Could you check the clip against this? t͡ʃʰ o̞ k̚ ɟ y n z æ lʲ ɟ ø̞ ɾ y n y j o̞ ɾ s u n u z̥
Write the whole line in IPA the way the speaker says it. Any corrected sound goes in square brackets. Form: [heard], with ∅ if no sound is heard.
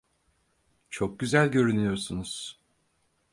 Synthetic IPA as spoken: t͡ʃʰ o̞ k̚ ɟ y [∅] z æ lʲ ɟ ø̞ ɾ y n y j o̞ ɾ s u n u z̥